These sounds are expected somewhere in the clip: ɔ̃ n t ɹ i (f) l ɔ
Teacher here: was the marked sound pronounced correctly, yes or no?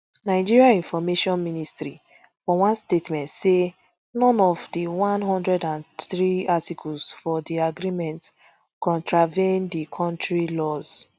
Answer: no